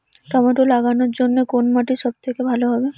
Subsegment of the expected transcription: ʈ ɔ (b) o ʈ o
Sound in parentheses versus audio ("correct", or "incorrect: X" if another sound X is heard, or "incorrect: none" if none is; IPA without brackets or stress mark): incorrect: m